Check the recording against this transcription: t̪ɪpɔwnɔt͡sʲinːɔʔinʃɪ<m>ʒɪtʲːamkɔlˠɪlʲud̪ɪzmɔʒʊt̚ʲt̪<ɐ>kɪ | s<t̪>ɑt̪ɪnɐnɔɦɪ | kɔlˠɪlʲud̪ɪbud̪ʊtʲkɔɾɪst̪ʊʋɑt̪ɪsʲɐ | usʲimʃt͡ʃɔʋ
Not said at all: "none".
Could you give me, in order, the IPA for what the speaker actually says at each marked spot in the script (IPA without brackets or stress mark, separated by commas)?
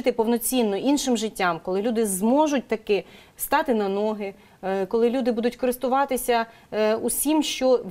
m, ɐ, t̪